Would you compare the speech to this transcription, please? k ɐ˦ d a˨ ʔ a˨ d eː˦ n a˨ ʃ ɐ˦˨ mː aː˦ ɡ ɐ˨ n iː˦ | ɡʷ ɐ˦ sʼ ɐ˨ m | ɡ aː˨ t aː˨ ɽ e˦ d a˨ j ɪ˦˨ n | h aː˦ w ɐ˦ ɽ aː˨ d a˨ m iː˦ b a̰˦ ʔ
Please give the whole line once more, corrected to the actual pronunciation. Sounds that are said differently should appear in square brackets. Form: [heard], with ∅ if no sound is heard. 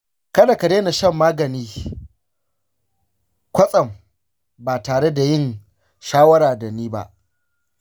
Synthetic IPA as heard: k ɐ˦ d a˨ [k] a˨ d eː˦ n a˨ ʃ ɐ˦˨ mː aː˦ ɡ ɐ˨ n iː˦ | [kʷ] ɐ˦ sʼ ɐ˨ m | [b] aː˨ t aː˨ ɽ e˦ d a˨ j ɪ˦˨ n | [ʃ] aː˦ w ɐ˦ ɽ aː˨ d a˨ [n] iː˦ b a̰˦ ʔ